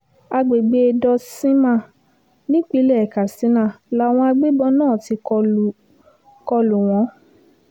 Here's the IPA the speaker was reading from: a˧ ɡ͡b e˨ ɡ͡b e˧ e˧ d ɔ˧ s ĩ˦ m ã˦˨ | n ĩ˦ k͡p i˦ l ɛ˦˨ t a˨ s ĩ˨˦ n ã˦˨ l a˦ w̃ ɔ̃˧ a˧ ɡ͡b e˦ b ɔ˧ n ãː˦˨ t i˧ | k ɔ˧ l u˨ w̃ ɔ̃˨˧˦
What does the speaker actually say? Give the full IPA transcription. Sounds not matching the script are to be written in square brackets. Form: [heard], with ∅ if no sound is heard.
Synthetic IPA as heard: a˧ ɡ͡b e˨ ɡ͡b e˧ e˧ d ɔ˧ s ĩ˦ m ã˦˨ | n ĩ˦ k͡p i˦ l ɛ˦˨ [k] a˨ s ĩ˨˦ n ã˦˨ l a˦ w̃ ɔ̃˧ a˧ ɡ͡b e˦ b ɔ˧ n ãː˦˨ t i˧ | k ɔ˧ l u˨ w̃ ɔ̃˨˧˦